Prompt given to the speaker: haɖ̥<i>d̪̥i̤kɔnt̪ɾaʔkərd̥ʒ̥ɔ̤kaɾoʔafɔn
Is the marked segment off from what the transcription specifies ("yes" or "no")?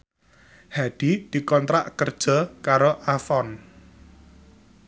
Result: no